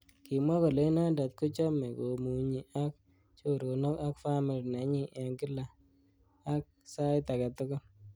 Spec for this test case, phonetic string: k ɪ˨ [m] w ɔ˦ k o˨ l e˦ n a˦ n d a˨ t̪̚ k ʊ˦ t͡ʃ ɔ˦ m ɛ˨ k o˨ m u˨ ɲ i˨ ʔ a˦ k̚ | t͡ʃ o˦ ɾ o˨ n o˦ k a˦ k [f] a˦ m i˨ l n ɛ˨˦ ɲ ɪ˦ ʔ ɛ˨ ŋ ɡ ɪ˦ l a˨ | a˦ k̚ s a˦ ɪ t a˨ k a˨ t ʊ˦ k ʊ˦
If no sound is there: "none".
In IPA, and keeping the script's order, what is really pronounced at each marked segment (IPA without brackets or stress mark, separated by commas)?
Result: m, f